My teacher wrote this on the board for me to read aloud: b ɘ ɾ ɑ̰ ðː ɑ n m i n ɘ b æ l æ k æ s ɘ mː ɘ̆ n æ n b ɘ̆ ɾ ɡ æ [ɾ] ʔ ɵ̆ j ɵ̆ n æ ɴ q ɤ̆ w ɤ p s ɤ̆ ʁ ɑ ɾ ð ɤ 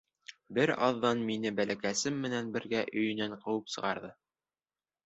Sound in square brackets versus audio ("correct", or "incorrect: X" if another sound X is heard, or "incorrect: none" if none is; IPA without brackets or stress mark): incorrect: none